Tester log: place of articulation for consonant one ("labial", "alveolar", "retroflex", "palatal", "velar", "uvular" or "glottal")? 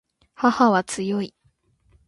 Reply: glottal